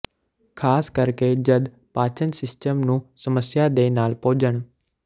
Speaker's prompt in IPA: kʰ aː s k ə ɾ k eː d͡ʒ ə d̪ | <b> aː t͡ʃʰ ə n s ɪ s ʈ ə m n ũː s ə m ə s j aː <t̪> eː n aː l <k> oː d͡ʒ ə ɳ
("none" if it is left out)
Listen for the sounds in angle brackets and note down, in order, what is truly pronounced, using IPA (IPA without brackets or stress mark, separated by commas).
p, d̪, p